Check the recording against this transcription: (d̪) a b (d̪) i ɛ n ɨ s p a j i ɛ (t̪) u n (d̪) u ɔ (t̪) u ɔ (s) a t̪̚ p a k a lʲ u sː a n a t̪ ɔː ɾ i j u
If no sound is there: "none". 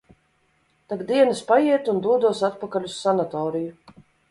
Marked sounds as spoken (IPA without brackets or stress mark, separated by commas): t̪, d̪, t̪, d̪, d̪, s